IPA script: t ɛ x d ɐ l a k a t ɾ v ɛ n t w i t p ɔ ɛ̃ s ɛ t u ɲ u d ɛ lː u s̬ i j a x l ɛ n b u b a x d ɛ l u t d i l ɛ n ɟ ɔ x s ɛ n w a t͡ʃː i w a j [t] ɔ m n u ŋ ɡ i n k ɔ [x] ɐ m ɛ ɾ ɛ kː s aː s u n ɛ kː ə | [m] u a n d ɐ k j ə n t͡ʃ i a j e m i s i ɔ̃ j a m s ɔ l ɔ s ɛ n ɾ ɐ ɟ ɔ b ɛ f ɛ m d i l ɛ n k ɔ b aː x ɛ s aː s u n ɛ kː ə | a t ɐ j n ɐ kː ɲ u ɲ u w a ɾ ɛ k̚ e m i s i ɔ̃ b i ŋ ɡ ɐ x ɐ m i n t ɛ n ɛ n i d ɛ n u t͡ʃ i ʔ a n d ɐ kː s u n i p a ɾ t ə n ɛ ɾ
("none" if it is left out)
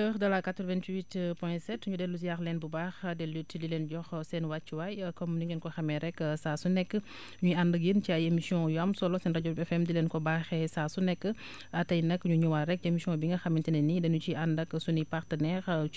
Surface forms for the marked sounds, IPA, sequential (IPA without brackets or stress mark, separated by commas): k, x, ɲ